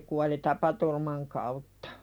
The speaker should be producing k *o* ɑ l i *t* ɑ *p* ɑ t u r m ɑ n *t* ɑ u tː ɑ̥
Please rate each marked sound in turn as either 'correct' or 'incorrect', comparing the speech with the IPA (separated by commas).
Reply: incorrect, correct, correct, incorrect